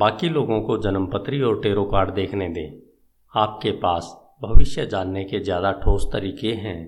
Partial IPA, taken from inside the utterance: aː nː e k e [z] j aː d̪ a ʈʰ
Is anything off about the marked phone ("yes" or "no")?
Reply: no